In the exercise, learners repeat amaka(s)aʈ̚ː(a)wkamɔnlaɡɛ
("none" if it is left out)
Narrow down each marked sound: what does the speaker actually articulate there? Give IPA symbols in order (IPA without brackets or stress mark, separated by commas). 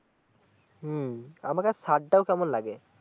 s, a